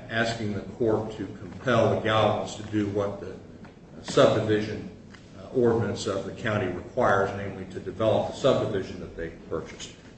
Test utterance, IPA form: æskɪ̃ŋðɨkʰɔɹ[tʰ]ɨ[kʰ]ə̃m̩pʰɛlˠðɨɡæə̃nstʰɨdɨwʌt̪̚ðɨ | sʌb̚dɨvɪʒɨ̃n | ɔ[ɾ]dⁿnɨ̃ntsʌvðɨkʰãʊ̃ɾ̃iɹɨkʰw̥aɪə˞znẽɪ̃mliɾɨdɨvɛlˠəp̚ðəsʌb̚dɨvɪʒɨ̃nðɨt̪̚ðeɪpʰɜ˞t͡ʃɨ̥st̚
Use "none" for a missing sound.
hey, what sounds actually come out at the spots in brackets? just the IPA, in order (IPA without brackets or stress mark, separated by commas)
tʰ, kʰ, ɹ